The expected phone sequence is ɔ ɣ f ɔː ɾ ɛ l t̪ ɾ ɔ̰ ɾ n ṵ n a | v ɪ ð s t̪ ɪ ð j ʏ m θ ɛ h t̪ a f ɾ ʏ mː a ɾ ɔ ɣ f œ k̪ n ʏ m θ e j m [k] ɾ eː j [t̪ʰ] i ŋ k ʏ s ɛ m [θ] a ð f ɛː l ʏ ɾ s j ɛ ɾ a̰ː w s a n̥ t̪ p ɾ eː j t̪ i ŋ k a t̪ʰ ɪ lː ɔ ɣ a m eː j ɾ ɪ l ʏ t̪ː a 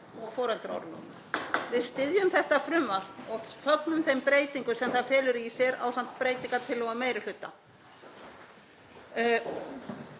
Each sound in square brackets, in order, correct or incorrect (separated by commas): incorrect, incorrect, correct